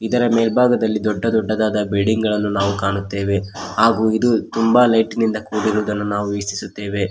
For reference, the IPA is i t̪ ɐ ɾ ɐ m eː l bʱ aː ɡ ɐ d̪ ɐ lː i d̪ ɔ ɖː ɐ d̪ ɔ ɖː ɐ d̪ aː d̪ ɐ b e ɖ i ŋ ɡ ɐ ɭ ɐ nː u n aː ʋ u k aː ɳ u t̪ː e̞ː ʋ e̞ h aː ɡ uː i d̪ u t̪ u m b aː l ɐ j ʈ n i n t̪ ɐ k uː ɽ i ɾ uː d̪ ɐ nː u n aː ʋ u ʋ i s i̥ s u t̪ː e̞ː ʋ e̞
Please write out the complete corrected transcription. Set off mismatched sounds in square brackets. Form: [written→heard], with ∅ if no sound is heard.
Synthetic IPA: i [t̪→d̪] ɐ ɾ ɐ m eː l bʱ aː ɡ ɐ d̪ ɐ lː i d̪ ɔ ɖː ɐ d̪ ɔ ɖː ɐ d̪ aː d̪ ɐ b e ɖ i ŋ ɡ ɐ ɭ ɐ nː u n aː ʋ u k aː ɳ u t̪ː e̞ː ʋ e̞ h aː ɡ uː i d̪ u t̪ u m b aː l ɐ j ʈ n i n [t̪→d̪] ɐ k uː ɽ i ɾ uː d̪ ɐ nː u n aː ʋ u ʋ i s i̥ s u t̪ː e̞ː ʋ e̞